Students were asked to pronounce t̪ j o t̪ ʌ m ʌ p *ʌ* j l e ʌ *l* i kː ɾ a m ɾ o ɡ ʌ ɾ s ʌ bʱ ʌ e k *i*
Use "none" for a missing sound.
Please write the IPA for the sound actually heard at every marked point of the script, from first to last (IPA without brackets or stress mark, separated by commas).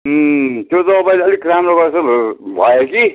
a, l, i